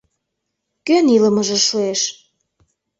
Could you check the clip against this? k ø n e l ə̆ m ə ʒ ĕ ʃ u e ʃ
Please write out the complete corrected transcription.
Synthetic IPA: k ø n i l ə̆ m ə ʒ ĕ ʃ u e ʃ